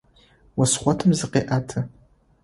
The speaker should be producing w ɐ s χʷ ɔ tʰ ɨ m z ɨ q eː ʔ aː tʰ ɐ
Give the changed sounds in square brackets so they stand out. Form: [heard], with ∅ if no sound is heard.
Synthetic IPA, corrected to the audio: w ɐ s χʷ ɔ tʰ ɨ m z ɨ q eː ʔ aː tʰ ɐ